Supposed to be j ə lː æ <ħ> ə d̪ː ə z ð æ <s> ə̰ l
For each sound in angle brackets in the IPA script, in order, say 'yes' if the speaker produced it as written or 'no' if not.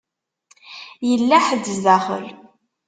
yes, no

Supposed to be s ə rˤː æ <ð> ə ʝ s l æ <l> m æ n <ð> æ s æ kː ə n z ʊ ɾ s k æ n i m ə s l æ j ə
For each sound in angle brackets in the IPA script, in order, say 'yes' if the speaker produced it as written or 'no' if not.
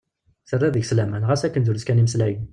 yes, no, no

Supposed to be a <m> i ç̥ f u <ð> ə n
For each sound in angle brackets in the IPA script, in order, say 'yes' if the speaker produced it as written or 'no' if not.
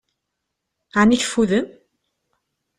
no, yes

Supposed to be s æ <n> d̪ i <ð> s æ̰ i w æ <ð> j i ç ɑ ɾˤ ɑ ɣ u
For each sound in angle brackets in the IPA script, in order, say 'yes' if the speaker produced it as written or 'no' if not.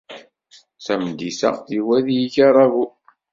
no, no, yes

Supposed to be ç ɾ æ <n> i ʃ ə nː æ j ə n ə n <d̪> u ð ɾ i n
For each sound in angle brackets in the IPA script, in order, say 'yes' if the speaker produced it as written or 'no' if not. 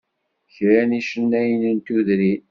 yes, no

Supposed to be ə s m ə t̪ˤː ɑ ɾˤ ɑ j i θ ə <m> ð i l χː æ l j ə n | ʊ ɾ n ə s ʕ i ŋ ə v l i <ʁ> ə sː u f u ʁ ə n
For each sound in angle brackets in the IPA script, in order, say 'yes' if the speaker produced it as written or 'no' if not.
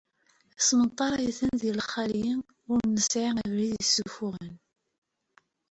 no, no

